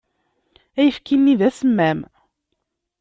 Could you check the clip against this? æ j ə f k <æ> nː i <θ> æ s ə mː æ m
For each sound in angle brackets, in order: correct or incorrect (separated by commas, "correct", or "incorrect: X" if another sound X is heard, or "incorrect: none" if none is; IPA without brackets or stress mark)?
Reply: incorrect: i, incorrect: ð